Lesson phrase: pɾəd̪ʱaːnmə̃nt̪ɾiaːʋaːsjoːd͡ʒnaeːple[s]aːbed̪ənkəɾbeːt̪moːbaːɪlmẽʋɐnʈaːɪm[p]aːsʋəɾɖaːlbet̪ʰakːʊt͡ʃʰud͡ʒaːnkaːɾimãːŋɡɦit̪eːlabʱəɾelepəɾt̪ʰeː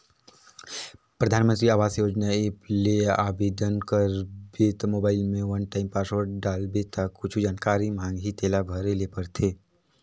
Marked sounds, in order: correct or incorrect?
incorrect: none, correct

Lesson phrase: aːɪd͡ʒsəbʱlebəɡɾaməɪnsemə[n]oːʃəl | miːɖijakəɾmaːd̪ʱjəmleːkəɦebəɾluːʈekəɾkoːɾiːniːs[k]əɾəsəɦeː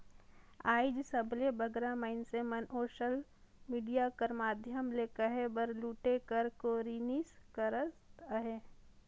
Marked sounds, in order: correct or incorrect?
correct, correct

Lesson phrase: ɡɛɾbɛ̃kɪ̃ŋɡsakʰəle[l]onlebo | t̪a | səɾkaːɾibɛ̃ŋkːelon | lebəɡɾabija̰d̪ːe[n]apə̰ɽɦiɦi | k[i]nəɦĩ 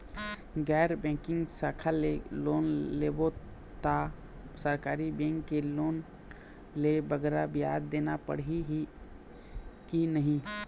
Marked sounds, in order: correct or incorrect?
correct, correct, correct

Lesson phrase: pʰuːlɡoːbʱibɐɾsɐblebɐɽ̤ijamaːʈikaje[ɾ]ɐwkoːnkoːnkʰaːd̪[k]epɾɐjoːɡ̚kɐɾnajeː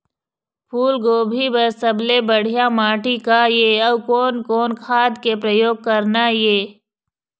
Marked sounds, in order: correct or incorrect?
incorrect: none, correct

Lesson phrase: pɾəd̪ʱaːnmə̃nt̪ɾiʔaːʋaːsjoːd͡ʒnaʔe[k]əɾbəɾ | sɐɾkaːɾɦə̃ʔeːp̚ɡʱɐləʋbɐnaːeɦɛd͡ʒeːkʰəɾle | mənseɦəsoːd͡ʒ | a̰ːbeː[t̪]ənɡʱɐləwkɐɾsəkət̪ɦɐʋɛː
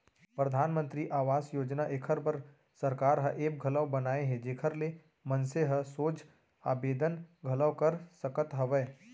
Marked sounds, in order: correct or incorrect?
incorrect: kʰ, incorrect: d̪

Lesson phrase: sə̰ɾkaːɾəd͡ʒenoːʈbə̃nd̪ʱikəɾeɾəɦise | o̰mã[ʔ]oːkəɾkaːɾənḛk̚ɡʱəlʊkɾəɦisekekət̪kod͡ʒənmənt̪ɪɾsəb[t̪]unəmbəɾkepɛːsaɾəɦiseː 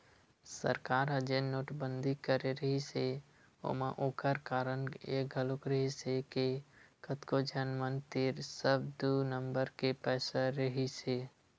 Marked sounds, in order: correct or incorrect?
correct, incorrect: d̪

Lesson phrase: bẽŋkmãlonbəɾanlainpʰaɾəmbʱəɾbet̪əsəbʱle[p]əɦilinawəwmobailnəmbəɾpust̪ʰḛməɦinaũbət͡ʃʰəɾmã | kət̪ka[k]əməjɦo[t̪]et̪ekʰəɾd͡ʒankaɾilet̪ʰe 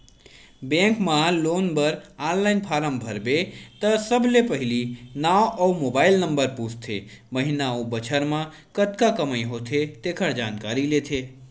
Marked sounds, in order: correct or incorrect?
correct, correct, incorrect: t̪ʰ

